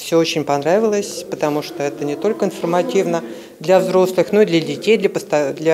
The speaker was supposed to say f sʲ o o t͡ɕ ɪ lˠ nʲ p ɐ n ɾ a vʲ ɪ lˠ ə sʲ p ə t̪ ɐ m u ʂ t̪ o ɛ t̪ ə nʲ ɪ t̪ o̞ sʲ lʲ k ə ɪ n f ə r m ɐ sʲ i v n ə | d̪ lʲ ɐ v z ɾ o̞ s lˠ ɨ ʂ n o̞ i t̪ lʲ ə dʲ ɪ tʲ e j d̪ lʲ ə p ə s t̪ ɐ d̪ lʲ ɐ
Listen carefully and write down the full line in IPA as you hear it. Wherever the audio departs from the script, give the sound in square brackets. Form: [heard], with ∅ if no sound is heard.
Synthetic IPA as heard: f sʲ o o t͡ɕ ɪ [∅] nʲ p ɐ n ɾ a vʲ ɪ lˠ ə sʲ p ə t̪ ɐ m u ʂ t̪ o ɛ t̪ ə nʲ ɪ t̪ o̞ [∅] lʲ k ə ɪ n f ə r m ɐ [tʲ] i v n ə | d̪ lʲ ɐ v z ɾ o̞ s lˠ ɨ [x] n o̞ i [d̪] lʲ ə dʲ ɪ tʲ e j d̪ lʲ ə p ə s t̪ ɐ d̪ lʲ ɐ